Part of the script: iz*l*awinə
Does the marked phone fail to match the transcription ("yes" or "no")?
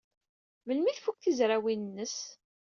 yes